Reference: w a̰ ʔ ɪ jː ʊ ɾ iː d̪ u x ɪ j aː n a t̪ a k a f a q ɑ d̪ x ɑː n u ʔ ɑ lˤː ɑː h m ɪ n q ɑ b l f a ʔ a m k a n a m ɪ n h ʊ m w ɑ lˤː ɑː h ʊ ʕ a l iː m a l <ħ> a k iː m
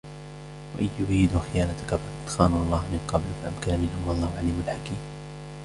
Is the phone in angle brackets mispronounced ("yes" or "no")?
no